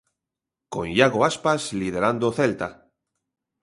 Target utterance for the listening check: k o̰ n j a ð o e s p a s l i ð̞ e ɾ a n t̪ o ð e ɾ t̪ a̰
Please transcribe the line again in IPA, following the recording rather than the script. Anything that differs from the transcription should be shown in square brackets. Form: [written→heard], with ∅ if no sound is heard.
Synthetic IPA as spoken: k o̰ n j a [ð→ɣ] o [e→a] s p a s l i ð̞ e ɾ a n [t̪→d̪] o [ð→θ] e [ɾ→l] t̪ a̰